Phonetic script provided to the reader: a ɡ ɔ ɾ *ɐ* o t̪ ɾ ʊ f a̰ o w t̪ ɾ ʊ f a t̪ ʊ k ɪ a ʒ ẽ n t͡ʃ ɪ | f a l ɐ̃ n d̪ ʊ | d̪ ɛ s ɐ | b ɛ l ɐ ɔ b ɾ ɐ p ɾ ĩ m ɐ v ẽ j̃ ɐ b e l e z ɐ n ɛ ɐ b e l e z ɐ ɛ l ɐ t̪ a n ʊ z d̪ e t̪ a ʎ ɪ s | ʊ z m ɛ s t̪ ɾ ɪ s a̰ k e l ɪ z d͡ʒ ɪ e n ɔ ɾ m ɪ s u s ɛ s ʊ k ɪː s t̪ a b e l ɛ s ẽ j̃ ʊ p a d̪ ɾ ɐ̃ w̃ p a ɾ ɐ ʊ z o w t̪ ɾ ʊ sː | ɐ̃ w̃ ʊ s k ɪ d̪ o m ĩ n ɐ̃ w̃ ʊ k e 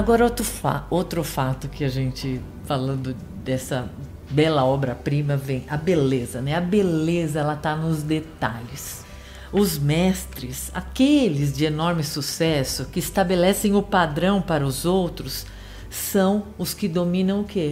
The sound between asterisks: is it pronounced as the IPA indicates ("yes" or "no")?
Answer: yes